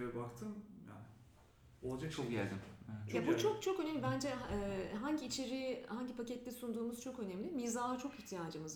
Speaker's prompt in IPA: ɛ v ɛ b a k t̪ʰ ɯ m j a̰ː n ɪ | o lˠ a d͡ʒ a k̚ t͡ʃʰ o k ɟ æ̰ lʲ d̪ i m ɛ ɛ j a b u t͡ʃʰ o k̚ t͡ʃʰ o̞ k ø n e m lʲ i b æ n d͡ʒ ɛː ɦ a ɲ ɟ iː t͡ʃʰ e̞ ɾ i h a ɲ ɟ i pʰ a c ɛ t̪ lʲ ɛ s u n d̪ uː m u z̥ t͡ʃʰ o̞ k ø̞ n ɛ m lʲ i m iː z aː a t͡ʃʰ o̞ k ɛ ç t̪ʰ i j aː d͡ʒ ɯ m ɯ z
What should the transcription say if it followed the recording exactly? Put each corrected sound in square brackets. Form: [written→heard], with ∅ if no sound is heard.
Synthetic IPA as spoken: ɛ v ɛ b a k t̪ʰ ɯ m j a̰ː n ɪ | o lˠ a d͡ʒ a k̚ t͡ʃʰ o k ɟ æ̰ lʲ d̪ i m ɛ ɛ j a b u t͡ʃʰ o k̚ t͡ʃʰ o̞ k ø n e m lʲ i b æ n d͡ʒ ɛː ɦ a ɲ ɟ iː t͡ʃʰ e̞ ɾ i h a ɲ ɟ i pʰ a c ɛ t̪ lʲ ɛ s u n d̪ uː m u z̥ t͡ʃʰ o̞ k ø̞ n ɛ m lʲ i m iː z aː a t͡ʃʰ o̞ k [ɛ→i] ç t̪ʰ i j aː d͡ʒ ɯ m ɯ z